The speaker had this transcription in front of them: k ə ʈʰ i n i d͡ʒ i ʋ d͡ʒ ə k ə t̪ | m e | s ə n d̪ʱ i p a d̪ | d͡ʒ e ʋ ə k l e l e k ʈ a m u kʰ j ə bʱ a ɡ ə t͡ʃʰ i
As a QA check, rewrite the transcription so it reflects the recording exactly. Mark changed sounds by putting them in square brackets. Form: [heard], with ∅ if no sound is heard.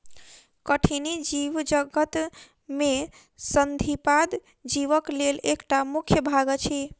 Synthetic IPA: k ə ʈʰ i n i d͡ʒ i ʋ d͡ʒ ə [ɡ] ə t̪ | m e | s ə n d̪ʱ i p a d̪ | d͡ʒ [i] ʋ ə k l e l e k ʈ a m u kʰ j ə bʱ a ɡ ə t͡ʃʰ i